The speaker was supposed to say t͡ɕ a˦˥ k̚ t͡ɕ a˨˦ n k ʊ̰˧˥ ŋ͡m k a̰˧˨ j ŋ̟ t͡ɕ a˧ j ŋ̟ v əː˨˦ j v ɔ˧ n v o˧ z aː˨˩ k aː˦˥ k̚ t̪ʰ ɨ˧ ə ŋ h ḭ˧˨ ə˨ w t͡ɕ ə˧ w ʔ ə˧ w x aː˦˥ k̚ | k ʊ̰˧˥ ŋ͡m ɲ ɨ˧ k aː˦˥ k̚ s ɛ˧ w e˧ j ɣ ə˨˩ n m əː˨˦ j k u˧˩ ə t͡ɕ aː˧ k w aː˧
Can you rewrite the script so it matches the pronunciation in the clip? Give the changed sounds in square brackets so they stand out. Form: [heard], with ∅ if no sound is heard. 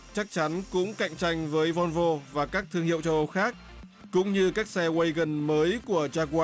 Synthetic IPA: t͡ɕ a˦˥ k̚ t͡ɕ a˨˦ n k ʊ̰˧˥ ŋ͡m k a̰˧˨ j ŋ̟ t͡ɕ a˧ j ŋ̟ v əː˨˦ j v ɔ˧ n v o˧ [v] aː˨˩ k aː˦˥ k̚ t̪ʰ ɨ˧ ə ŋ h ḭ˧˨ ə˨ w t͡ɕ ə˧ w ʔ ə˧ w x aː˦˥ k̚ | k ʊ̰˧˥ ŋ͡m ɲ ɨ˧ k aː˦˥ k̚ s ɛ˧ w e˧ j ɣ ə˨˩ n m əː˨˦ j k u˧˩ ə t͡ɕ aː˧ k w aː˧